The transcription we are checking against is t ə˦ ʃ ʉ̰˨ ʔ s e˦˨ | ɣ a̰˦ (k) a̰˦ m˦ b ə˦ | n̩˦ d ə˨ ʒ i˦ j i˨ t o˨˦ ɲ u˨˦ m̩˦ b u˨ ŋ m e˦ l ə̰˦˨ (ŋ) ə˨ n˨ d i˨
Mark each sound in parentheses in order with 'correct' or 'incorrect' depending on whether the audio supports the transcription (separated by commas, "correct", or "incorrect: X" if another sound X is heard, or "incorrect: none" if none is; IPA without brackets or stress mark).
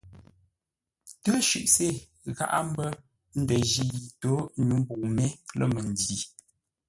incorrect: ʔ, incorrect: m